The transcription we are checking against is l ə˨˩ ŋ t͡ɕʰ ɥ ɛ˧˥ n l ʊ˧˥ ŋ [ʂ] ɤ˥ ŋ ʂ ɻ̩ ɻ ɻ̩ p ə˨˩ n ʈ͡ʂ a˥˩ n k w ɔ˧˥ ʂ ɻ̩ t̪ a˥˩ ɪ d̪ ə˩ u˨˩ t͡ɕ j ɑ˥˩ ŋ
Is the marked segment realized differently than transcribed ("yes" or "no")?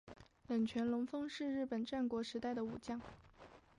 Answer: yes